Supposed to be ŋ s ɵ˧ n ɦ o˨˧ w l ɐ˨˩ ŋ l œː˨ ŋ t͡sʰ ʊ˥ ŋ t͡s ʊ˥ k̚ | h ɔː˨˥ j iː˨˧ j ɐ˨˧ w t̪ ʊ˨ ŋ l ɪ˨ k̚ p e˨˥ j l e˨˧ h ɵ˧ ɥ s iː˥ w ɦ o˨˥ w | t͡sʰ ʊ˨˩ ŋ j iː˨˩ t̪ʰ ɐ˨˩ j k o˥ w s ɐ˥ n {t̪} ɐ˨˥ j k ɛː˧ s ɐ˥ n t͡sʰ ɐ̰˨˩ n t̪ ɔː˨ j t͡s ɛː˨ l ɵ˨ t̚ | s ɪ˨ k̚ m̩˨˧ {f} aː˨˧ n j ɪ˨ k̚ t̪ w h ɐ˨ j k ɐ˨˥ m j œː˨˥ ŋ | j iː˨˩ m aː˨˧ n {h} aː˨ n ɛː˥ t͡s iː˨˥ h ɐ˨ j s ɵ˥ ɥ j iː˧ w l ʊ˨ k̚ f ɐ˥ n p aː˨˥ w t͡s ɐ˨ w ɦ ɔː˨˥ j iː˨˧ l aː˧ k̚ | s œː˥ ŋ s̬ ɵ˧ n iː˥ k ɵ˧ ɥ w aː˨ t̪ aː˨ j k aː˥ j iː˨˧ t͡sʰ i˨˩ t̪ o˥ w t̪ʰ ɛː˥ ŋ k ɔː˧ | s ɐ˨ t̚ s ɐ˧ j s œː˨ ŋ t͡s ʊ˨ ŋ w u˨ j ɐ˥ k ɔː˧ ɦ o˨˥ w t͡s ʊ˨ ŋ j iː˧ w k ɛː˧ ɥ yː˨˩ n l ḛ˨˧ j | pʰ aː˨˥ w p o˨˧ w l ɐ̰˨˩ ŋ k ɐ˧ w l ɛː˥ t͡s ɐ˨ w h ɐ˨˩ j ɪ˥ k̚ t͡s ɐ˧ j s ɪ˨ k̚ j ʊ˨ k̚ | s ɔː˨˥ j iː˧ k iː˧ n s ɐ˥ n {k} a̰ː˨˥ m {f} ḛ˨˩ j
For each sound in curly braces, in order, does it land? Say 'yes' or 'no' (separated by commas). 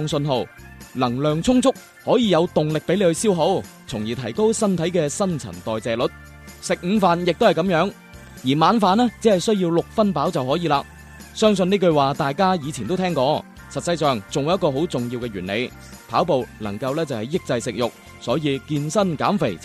no, yes, no, yes, yes